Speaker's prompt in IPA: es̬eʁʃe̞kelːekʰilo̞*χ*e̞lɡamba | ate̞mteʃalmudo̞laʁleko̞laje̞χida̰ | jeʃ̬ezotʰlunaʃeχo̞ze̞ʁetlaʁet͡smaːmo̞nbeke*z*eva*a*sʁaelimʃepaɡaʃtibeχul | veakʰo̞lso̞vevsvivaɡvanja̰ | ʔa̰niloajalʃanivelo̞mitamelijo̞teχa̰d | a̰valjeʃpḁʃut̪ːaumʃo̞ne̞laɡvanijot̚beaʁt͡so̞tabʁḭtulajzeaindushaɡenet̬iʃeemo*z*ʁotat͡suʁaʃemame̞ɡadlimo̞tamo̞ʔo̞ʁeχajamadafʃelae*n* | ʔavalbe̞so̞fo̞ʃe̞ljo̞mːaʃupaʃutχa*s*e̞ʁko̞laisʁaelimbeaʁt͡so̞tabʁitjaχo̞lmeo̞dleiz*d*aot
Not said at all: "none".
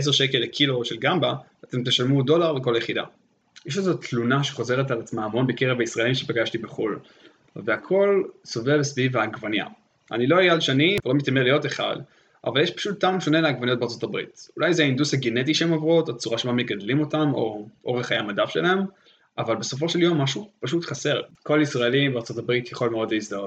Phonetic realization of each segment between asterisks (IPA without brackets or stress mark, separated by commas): ʃ, ʁ, i, v, m, s, d